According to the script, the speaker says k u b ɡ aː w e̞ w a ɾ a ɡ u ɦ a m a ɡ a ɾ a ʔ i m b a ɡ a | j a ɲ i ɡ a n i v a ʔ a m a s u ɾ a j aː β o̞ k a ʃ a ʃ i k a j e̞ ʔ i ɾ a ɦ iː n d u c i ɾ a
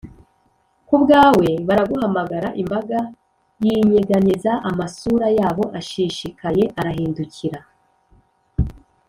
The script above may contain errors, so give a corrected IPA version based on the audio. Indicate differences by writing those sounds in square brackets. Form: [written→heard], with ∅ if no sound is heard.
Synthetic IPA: k u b ɡ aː w e̞ [w→β] a ɾ a ɡ u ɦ a m a ɡ a ɾ a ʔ i m b a ɡ a | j [a→i] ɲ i ɡ a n i [v→z] a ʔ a m a s u ɾ a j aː β o̞ [k→ʔ] a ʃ [a→i] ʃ i k a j e̞ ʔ [i→a] ɾ a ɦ iː n d u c i ɾ a